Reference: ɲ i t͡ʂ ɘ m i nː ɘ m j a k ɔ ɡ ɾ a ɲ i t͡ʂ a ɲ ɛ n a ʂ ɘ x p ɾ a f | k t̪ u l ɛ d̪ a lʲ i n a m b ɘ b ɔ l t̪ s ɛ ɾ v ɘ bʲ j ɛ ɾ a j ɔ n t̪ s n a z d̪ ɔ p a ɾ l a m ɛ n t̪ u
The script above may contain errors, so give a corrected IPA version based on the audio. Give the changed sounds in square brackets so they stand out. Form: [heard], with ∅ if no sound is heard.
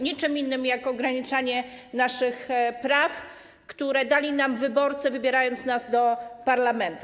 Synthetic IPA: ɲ i t͡ʂ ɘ m i nː ɘ m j a k ɔ ɡ ɾ a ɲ i t͡ʂ a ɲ ɛ n a ʂ ɘ x p ɾ a f | k t̪ u [ɾ] ɛ d̪ a lʲ i n a m [v] ɘ b ɔ [ɾ] t̪ s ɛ [∅] v ɘ bʲ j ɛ ɾ a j ɔ n t̪ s n a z d̪ ɔ p a ɾ l a m ɛ n t̪ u